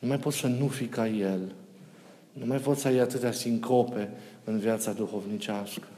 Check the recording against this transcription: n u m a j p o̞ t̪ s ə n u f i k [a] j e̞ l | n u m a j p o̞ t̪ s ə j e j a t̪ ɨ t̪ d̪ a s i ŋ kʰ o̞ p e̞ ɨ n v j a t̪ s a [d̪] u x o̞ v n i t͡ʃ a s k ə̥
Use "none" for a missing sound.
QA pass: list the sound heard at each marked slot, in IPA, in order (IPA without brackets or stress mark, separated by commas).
a, d̪